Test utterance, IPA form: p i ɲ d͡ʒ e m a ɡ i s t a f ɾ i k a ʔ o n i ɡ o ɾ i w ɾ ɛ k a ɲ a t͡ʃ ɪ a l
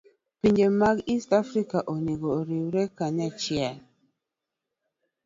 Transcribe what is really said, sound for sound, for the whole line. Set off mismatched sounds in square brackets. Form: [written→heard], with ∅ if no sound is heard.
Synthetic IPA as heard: p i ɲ d͡ʒ e m a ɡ i s t a f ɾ i k a ʔ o n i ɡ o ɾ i w ɾ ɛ k a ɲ a t͡ʃ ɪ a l